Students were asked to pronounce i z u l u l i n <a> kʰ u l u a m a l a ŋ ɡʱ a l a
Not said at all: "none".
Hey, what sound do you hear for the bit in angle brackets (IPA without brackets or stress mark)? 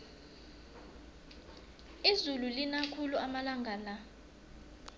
a